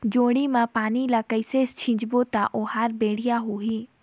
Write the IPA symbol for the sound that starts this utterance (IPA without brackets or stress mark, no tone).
d͡ʒ